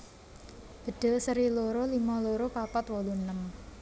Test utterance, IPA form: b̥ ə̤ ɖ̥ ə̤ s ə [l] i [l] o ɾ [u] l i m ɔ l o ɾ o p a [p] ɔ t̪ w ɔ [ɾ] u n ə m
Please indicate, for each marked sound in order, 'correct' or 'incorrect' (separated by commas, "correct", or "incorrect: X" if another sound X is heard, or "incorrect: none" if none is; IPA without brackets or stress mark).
incorrect: ɾ, correct, incorrect: o, correct, incorrect: l